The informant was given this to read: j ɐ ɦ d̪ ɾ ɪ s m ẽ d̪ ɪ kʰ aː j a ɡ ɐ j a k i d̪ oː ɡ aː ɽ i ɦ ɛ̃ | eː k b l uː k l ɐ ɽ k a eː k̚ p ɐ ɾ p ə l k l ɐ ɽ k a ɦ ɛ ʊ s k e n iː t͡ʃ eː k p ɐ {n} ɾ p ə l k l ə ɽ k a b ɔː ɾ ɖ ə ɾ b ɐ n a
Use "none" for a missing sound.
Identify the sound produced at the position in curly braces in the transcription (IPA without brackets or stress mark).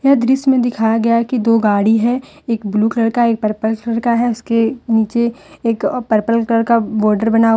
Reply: none